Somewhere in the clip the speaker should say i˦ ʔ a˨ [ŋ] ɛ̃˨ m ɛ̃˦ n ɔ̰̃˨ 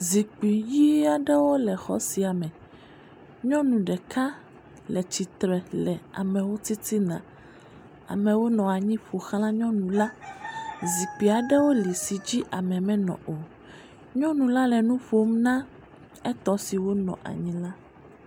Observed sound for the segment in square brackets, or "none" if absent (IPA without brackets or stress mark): m